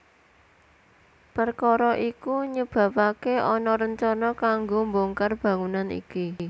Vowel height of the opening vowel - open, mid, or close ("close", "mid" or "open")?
mid